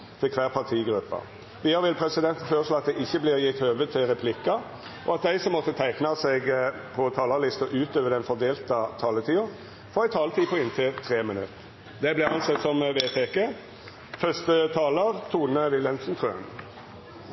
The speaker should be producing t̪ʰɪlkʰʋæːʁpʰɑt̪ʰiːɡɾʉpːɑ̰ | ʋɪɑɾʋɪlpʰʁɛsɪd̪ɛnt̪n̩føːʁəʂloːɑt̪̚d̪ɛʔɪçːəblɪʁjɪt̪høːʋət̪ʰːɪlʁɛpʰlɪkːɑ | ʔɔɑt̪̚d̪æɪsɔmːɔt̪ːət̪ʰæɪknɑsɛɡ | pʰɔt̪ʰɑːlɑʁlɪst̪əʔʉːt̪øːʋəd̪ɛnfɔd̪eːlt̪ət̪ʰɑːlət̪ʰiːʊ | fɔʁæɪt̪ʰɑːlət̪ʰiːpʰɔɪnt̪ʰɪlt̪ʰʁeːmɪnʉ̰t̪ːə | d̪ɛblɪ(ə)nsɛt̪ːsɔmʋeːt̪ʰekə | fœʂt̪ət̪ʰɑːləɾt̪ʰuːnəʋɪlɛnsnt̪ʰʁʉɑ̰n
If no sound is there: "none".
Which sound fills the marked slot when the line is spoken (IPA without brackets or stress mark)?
ɑ